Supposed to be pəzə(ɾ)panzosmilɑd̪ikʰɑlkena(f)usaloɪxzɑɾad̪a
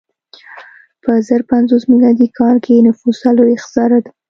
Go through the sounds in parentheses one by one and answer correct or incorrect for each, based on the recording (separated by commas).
correct, correct